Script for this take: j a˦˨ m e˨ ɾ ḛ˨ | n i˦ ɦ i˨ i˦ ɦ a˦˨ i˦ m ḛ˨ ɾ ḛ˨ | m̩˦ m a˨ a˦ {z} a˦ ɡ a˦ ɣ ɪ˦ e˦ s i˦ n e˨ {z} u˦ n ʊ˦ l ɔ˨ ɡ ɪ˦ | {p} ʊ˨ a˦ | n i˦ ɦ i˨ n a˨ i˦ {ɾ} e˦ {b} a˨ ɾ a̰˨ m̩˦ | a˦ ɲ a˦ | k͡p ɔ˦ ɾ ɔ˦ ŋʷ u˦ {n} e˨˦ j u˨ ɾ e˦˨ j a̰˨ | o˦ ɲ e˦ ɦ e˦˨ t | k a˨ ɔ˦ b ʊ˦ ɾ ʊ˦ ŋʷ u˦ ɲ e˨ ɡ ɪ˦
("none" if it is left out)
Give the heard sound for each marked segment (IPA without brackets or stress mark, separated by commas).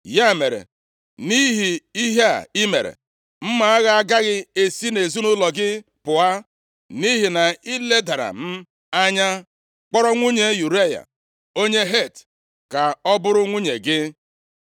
ɣ, z, p, l, d, ɲ